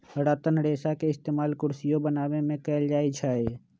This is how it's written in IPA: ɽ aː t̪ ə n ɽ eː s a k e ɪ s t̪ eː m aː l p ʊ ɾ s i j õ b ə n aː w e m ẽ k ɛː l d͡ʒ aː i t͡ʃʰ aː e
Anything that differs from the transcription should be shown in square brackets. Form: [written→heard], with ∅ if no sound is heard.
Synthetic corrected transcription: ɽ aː t̪ ə n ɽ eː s a k e ɪ s t̪ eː m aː l [p→k] ʊ ɾ s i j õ b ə n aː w e m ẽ k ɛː l d͡ʒ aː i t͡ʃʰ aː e